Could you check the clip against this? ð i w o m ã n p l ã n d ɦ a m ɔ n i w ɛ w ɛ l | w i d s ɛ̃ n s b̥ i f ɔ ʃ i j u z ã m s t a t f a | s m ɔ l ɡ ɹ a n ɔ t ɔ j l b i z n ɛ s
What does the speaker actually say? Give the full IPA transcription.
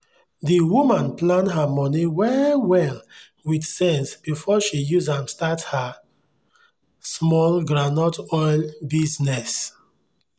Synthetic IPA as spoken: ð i w u m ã n p l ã n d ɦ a m ɔ n i w ɛ w ɛ l | w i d s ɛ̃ n s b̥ i f ɔ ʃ i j u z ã m s t a t h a | s m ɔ l ɡ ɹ a n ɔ t ɔ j l b i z n ɛ s

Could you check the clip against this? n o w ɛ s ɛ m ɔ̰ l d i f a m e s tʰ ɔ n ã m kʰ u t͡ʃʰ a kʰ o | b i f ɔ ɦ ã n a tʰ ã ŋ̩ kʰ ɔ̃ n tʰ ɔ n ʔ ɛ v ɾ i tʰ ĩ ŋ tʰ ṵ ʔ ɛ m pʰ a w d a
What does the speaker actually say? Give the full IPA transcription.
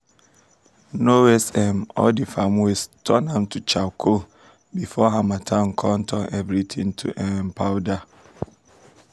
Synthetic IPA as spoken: n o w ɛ s ɛ m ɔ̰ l d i f a m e s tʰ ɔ n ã m tʰ u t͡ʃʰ a kʰ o | b i f ɔ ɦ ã m a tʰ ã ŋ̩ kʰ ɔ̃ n tʰ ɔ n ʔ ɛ v ɾ i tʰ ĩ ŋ tʰ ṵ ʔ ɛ m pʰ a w d a

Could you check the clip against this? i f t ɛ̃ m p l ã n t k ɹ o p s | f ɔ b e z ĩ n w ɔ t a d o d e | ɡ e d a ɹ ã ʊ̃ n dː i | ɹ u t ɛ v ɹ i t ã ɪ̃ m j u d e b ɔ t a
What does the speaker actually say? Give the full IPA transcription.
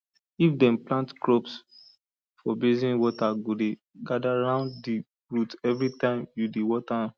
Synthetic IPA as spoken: i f d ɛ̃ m p l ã n t k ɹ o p s | f ɔ b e z ĩ n w ɔ t a ɡ o d e | ɡ a d a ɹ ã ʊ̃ n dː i | ɹ u t ɛ v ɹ i t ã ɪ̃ m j u d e w ɔ t a

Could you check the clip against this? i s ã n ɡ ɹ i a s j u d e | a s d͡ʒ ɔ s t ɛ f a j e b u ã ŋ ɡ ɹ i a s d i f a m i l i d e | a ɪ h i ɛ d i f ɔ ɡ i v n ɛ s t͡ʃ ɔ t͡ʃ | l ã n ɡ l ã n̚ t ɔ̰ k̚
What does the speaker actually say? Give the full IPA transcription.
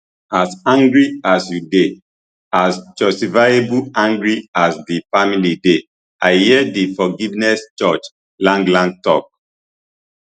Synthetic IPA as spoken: a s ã ŋ ɡ ɹ i a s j u d e | a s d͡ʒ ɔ s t i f a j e b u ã ŋ ɡ ɹ i a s d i f a m i l i d e | a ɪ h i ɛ d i f ɔ ɡ i v n ɛ s t͡ʃ ɔ t͡ʃ | l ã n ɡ l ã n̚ t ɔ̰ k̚

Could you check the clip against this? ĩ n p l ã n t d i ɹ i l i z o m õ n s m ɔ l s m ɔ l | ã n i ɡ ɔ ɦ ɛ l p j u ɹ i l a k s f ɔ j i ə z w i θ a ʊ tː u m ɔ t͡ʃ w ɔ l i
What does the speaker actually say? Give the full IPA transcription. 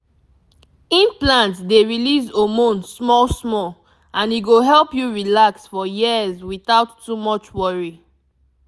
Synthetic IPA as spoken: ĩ n p l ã n t d e ɹ i l i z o m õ n s m ɔ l s m ɔ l | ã n i ɡ o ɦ ɛ l p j u ɹ i l a k s f ɔ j i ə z w i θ a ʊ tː u m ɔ t͡ʃ w ɔ ɹ i

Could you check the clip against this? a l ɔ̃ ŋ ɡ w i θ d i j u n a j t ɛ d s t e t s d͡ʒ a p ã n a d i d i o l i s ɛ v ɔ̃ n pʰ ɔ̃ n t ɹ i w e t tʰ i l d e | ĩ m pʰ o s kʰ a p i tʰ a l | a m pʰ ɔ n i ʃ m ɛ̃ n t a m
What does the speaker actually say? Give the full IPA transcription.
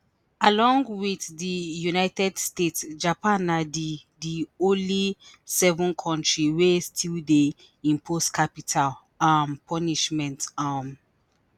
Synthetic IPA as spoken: a l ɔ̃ ŋ ɡ w i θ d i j u n a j t ɛ d s t e t s d͡ʒ a p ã n a d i d i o l i s ɛ v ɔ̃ n kʰ ɔ̃ n t ɹ i w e s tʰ i l d e | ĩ m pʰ o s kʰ a p i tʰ a l | a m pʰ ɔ n i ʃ m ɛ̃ n t a m

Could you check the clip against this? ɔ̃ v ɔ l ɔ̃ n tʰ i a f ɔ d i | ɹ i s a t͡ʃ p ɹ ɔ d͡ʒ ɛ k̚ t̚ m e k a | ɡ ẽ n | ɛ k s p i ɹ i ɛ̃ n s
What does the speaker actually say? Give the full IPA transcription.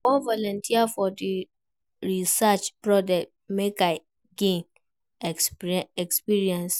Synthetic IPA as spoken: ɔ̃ v ɔ l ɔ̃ n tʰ i a f ɔ d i | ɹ i s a t͡ʃ p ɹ ɔ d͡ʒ ɛ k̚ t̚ m e k a | ɡ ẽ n | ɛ k s p i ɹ i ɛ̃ n s

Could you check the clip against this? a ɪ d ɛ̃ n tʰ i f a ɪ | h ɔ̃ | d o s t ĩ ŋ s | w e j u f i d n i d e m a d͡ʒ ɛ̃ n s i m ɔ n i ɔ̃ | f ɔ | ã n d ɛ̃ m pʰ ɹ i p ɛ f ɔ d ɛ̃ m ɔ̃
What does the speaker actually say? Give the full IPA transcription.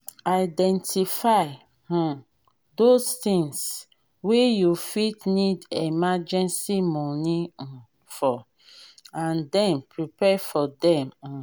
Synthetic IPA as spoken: a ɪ d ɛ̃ n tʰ i f a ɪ | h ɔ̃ | d o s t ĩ ŋ s | w e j u f i t n i d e m a d͡ʒ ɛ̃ n s i m ɔ n i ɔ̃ | f ɔ | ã n d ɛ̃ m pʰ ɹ i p ɛ f ɔ d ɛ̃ m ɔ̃

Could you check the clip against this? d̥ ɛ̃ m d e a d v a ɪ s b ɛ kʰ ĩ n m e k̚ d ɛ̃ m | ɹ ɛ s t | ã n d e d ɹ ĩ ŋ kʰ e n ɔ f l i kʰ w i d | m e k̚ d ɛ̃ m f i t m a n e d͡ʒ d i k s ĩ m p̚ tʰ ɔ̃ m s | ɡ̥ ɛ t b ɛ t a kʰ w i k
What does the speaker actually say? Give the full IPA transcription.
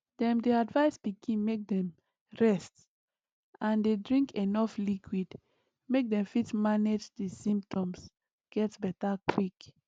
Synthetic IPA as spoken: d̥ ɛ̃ m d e a d v a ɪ s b i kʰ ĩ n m e k̚ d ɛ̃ m | ɹ ɛ s t | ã n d e d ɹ ĩ ŋ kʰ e n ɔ f l i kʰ w i d | m e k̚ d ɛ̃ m f i t m a n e d͡ʒ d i s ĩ m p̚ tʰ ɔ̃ m s | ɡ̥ ɛ t b ɛ t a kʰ w i k

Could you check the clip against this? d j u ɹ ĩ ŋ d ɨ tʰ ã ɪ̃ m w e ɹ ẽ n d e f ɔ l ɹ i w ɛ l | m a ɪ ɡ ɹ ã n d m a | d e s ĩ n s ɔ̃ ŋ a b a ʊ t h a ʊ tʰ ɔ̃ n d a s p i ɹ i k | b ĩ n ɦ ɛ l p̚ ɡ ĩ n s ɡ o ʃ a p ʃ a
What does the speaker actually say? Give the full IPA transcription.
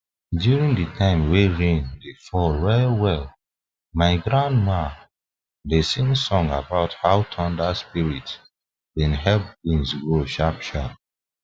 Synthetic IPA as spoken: d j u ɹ ĩ ŋ d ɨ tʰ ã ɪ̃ m w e ɹ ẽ n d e f ɔ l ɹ ɛ w ɛ l | m a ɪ ɡ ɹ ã n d m a | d e s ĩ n s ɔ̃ ŋ a b a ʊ t h a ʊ tʰ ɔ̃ n d a s p i ɹ i t | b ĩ n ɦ ɛ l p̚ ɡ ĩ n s ɡ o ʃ a p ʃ a

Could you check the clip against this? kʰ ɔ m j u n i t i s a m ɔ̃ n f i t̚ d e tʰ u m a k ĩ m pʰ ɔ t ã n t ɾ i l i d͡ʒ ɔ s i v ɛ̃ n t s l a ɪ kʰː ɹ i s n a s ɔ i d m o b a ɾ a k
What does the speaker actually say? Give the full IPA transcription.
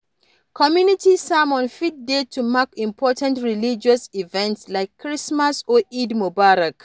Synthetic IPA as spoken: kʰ ɔ m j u n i t i s a m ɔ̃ n f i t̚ d e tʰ u m a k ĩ m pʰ ɔ t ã n t ɹ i l i d͡ʒ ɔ s i v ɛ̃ n t s l a ɪ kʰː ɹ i s m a s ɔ i d m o b a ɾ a k

